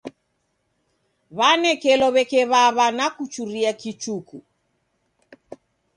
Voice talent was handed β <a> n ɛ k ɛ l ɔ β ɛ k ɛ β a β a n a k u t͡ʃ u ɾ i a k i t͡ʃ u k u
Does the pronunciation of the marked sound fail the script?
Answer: no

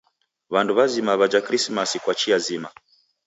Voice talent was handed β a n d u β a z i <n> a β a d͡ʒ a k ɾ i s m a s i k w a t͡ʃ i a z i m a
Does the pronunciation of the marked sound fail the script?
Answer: yes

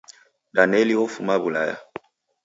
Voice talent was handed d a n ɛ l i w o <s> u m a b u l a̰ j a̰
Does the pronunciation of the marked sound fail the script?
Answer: yes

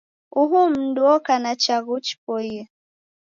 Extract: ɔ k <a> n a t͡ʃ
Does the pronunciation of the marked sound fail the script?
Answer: no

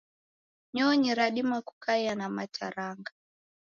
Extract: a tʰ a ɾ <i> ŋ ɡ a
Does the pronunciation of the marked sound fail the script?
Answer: yes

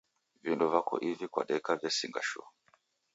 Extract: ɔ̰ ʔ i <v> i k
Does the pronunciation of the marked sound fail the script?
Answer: no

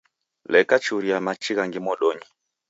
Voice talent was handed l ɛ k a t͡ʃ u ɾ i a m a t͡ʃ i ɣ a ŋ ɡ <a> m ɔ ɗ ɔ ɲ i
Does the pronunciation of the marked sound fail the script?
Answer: yes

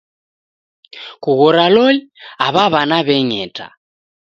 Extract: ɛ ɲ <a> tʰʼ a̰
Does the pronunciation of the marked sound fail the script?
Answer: yes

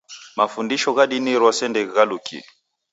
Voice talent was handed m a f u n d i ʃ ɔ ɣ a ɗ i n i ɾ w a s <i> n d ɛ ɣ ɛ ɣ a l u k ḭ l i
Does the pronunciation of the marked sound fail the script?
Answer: yes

